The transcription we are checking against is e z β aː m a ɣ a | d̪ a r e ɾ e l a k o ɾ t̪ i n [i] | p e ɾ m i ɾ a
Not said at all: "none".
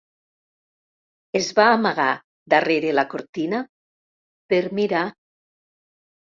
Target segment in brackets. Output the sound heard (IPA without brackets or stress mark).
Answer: a